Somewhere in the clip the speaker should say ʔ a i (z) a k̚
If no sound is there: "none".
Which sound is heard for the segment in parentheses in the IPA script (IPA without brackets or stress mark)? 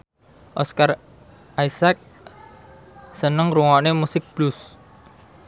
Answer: s